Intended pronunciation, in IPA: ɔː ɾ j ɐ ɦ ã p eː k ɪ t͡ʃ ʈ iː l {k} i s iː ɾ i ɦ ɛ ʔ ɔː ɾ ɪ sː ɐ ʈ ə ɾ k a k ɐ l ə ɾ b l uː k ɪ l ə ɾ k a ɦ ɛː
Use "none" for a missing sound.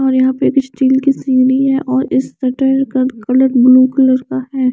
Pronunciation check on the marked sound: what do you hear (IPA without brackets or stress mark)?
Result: k